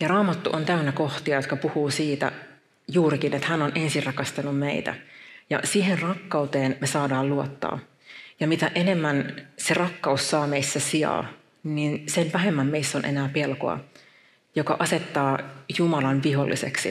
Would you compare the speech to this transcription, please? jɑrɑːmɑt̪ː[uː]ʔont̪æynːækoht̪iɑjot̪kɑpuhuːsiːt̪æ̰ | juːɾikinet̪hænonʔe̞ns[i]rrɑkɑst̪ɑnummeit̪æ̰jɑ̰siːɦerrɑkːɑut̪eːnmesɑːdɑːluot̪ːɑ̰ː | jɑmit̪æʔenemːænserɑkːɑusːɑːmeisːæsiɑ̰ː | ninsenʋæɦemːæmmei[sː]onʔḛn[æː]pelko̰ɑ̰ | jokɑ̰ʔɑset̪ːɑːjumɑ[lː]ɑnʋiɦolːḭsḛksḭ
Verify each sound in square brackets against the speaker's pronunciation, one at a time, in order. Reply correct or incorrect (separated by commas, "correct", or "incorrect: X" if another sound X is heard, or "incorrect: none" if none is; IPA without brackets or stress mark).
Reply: incorrect: u, correct, correct, correct, incorrect: l